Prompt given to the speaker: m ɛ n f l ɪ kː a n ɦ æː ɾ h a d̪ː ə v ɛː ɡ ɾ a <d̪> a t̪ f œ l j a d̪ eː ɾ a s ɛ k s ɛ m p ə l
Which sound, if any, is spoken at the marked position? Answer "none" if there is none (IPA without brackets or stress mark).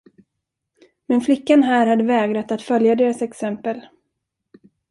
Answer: t̪